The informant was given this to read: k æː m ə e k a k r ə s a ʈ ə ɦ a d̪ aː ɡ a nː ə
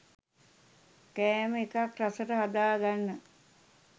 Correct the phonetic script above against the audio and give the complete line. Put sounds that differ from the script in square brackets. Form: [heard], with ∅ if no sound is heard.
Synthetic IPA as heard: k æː m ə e k a k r [a] s [ə] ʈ ə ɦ a d̪ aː ɡ a nː ə